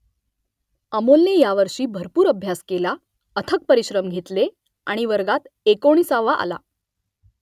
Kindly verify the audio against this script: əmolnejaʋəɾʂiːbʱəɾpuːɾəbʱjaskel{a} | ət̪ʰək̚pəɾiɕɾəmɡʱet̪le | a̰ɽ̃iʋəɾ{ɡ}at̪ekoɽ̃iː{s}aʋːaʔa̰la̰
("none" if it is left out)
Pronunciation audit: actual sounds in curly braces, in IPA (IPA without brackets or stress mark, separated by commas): a, ɡ, s